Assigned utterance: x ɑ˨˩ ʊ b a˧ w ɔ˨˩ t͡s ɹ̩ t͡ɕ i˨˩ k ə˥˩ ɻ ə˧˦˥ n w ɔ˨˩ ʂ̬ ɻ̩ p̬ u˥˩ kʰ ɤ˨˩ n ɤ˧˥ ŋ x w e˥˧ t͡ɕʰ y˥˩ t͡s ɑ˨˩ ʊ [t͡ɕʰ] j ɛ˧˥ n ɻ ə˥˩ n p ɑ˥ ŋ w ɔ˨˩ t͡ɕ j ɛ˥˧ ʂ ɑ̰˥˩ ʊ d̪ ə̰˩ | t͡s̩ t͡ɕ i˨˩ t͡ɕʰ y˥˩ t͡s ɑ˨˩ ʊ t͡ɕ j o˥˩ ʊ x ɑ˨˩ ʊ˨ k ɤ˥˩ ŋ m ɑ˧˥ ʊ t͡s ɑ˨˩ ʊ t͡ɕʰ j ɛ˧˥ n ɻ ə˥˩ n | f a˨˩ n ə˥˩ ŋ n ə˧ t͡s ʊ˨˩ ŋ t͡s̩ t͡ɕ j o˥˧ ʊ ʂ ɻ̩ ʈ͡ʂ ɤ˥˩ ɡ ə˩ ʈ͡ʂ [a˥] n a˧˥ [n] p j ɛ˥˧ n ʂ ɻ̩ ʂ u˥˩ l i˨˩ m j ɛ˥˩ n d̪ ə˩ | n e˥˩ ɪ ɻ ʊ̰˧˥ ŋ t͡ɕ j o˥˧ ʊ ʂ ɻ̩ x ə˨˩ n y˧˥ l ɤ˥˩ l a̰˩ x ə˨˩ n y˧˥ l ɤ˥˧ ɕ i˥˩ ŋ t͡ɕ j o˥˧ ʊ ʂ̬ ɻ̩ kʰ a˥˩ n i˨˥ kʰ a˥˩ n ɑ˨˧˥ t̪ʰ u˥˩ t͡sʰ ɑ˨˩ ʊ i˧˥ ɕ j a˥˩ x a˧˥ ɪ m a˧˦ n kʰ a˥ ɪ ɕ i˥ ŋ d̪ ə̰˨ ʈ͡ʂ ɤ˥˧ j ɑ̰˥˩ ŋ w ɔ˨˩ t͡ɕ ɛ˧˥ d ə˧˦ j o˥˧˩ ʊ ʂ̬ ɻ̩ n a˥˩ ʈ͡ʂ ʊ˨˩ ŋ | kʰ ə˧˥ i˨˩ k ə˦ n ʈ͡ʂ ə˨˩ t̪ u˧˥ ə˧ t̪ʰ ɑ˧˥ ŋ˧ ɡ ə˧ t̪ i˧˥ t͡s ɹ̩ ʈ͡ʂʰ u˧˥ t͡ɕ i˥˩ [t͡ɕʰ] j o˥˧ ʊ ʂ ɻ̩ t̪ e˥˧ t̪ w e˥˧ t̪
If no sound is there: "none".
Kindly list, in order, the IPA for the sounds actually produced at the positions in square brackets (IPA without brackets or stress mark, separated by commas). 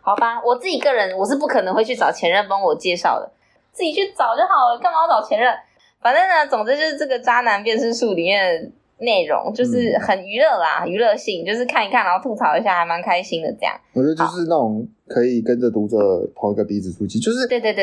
t͡ɕʰ, a˥, n, t͡ɕ